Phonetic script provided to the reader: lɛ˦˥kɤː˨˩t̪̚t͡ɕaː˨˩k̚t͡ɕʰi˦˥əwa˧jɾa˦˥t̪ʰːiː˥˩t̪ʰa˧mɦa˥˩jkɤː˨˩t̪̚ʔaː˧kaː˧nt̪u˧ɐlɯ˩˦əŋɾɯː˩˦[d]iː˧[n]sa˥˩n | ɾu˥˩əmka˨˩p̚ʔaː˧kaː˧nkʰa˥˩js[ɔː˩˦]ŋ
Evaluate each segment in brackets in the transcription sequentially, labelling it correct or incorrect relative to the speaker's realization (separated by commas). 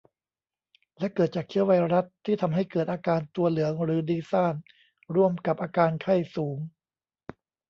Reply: correct, incorrect, incorrect